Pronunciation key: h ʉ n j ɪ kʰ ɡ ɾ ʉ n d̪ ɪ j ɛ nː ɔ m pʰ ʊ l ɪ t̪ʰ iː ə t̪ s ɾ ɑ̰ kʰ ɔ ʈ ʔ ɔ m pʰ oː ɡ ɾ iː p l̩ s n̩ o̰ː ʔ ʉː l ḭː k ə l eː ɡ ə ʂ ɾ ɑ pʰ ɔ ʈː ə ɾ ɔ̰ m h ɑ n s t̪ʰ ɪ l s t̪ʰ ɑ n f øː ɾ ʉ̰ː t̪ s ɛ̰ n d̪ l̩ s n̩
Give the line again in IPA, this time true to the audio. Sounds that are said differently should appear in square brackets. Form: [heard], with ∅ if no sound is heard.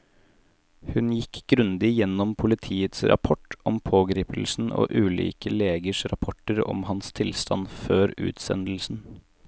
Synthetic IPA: h ʉ n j ɪ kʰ ɡ ɾ ʉ n d̪ ɪ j ɛ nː ɔ m pʰ ʊ l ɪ t̪ʰ iː ə t̪ s ɾ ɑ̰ [pʰ] ɔ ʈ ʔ ɔ m pʰ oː ɡ ɾ iː p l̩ s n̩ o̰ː ʔ ʉː l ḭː k ə l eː ɡ ə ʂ ɾ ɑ pʰ ɔ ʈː ə ɾ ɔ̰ m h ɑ n s t̪ʰ ɪ l s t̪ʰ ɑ n f øː ɾ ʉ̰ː t̪ s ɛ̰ n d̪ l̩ s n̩